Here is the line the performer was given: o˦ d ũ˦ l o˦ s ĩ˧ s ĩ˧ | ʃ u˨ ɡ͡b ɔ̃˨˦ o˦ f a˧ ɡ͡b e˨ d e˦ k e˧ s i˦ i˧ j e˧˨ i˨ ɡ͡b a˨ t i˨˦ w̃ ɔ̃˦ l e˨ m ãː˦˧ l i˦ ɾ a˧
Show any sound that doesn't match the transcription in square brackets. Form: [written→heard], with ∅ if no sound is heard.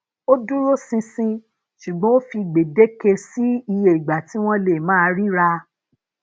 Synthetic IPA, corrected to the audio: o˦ d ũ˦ [l→ɾ] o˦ s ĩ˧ s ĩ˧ | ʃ u˨ ɡ͡b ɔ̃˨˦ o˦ f [a˧→i˧] ɡ͡b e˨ d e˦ k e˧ s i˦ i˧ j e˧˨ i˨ ɡ͡b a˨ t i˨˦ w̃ ɔ̃˦ l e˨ m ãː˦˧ [l→ɾ] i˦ ɾ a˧